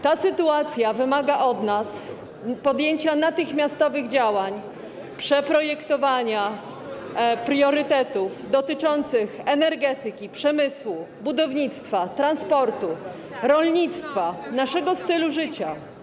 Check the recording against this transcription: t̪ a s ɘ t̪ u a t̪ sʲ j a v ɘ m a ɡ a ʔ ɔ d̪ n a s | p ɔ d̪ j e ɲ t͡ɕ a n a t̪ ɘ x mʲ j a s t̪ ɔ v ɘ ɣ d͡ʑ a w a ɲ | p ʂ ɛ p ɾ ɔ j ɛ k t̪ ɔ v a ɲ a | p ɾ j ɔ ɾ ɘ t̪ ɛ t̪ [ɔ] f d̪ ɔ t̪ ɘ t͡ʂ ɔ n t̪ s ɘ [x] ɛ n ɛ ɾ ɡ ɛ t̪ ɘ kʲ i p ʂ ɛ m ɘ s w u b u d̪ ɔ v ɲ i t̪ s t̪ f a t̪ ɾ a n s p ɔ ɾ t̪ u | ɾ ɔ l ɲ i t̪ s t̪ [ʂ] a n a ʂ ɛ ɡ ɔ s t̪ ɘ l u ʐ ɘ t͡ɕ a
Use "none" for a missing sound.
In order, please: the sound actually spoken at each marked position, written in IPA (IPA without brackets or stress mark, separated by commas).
u, x, f